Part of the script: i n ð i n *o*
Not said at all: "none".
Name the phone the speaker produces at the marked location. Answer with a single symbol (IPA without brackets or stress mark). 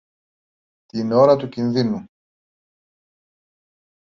u